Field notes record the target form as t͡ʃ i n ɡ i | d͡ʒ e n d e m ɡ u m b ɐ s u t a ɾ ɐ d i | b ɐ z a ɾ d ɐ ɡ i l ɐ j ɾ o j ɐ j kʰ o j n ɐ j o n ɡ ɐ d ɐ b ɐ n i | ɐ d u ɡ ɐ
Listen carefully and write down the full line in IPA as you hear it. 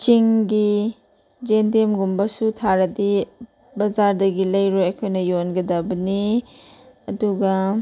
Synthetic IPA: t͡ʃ i ŋ ɡ i | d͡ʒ e n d e m ɡ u m b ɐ s u tʰ a ɾ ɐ d i | b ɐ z a ɾ d ɐ ɡ i l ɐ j ɾ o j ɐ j kʰ o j n ɐ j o n ɡ ɐ d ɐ b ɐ n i | ɐ d u ɡ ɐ